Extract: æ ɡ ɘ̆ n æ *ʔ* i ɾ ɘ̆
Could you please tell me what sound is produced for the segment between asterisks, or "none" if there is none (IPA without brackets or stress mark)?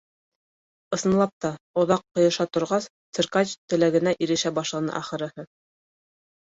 ʔ